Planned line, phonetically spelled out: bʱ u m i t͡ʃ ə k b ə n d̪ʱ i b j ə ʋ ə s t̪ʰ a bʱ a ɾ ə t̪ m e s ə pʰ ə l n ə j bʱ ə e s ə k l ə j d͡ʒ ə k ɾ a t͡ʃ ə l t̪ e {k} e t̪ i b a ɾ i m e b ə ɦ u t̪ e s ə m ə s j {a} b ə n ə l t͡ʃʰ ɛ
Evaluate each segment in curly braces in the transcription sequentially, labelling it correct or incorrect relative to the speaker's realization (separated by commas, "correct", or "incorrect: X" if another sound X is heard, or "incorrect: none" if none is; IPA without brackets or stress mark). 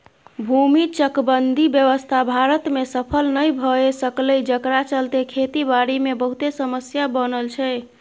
incorrect: kʰ, correct